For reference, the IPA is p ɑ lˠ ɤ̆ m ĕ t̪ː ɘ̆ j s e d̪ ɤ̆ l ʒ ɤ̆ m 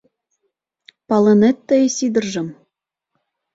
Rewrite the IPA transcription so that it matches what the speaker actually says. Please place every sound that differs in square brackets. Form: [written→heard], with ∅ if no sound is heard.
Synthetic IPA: p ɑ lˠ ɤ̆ [m→n] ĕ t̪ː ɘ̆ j s [e→i] d̪ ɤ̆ [l→r] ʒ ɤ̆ m

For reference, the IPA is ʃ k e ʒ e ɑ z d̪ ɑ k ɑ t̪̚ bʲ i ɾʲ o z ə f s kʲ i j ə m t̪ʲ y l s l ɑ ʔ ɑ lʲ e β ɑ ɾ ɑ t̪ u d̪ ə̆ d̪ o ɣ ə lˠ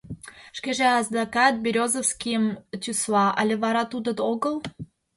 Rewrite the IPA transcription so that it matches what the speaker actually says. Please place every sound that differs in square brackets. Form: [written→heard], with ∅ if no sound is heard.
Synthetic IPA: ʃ k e ʒ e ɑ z d̪ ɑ k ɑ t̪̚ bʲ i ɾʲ o z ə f s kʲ i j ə m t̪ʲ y [l→∅] s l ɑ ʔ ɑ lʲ e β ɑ ɾ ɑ t̪ u d̪ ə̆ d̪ o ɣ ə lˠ

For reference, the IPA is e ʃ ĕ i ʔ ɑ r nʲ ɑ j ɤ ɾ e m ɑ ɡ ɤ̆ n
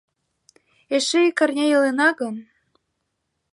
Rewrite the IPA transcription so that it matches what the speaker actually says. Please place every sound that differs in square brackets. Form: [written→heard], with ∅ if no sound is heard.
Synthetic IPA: e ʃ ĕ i [ʔ→k] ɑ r nʲ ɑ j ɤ [ɾ→l] e [m→n] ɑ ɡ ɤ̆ n

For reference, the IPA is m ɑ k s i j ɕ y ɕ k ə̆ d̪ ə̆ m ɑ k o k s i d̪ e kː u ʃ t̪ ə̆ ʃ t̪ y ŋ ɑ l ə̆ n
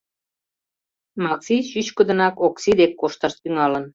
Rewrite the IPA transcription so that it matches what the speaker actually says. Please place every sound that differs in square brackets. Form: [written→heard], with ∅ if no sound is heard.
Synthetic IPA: m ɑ k s i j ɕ y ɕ k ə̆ d̪ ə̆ [m→n] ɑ k o k s i d̪ e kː [u→o] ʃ t̪ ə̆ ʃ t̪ y ŋ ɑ l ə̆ n

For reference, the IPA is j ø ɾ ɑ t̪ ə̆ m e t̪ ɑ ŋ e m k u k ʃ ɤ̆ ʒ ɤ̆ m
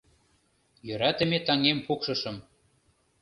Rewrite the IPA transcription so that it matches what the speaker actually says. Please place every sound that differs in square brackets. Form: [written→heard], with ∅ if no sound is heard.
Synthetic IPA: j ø ɾ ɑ t̪ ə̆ m e t̪ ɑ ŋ e m [k→p] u k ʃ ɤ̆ [ʒ→ʃ] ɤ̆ m

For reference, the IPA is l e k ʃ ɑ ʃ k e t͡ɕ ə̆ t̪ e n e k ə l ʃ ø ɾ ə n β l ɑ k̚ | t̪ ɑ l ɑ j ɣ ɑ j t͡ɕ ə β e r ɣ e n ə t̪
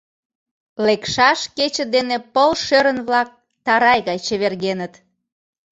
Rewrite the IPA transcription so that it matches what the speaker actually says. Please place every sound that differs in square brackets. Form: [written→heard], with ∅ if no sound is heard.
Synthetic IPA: l e k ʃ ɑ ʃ k e t͡ɕ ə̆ [t̪→d̪] e n e [k→p] ə l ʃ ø ɾ ə n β l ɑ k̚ | t̪ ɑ [l→ɾ] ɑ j ɣ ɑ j t͡ɕ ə β e r ɣ e n ə t̪

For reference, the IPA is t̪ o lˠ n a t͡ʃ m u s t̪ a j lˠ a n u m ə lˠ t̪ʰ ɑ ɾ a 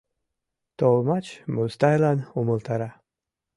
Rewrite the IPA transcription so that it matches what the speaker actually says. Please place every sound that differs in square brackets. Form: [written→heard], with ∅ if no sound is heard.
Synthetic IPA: t̪ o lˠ [n→m] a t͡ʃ m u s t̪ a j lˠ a n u m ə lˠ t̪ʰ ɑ ɾ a

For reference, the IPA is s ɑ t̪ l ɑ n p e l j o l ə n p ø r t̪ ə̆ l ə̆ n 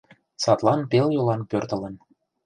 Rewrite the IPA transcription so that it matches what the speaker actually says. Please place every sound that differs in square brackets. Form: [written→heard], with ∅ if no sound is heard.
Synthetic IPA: s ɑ t̪ l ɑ n p e l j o l [ə→ɑ] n p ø r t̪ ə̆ l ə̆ n

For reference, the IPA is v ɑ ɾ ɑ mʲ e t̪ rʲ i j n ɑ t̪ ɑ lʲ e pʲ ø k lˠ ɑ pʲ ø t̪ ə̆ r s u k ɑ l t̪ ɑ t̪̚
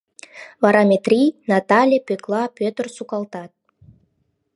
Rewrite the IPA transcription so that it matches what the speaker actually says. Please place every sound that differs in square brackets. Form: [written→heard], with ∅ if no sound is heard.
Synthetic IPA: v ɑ ɾ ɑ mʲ e t̪ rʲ i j n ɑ t̪ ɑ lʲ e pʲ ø k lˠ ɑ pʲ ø t̪ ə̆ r s u k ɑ l t̪ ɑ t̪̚

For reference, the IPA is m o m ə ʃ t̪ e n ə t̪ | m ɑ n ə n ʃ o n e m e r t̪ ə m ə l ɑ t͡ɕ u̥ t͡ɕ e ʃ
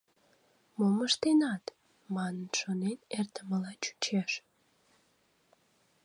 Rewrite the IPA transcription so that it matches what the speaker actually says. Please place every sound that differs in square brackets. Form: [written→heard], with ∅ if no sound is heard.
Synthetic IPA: m o m ə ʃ t̪ e n [ə→ɑ] t̪ | m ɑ n ə n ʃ o n e [m→n] e r t̪ ə m ə l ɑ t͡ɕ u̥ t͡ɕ e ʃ

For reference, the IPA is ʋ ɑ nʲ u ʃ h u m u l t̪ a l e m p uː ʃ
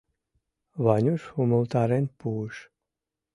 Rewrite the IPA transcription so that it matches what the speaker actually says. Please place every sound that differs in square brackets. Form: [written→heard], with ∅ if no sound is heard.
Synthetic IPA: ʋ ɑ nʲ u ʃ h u m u l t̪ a [l→ɾ] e [m→n] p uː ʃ

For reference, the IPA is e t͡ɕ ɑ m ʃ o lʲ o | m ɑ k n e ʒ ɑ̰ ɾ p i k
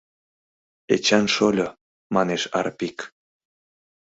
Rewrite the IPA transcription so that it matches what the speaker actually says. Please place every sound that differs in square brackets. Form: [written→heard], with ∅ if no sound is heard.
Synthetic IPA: e t͡ɕ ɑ [m→n] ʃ o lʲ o | m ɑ [k→∅] n e [ʒ→ʃ] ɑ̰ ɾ p i k

